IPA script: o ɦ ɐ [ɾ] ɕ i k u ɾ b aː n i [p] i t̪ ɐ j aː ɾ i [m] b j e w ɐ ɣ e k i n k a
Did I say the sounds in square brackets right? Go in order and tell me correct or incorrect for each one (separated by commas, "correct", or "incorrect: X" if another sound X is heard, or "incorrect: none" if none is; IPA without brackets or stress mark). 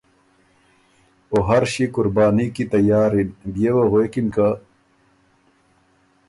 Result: correct, incorrect: k, incorrect: n